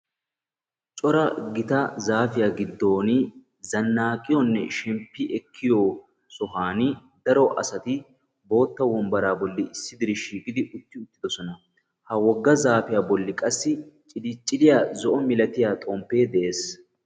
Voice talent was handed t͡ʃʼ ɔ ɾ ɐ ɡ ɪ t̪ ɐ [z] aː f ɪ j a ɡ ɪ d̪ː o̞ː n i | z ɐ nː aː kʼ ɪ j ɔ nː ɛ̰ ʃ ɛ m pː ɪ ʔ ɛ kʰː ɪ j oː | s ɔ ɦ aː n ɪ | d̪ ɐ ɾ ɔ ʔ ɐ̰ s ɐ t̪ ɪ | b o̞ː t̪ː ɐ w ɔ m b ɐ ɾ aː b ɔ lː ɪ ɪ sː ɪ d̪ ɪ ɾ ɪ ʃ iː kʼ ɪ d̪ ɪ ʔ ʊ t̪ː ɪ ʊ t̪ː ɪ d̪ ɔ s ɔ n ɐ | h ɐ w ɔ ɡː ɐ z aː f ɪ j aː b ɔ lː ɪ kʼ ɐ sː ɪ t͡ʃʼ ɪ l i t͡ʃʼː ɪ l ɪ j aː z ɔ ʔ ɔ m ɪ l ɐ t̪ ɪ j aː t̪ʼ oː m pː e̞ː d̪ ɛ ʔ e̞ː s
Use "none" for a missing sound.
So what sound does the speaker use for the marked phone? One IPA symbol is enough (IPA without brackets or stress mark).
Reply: z